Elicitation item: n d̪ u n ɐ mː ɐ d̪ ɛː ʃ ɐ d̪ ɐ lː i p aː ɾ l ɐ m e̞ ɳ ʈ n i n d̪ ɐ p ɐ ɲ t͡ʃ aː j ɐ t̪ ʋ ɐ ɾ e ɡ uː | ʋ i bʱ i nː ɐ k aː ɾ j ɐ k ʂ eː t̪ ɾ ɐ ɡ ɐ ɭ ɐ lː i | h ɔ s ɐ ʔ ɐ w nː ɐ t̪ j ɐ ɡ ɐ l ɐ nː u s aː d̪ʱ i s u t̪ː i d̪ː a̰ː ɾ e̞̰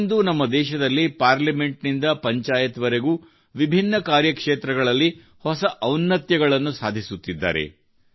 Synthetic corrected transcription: n d̪ u n ɐ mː ɐ d̪ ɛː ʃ ɐ d̪ ɐ lː i p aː ɾ l ɐ m e̞ ɳ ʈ n i n d̪ ɐ p ɐ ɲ t͡ʃ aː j ɐ t̪ ʋ ɐ ɾ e ɡ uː | ʋ i bʱ i nː ɐ k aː ɾ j ɐ k ʂ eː t̪ ɾ ɐ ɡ ɐ ɭ ɐ lː i | h ɔ s ɐ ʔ ɐ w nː ɐ t̪ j ɐ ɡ ɐ ɭ ɐ nː u s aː d̪ʱ i s u t̪ː i d̪ː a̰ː ɾ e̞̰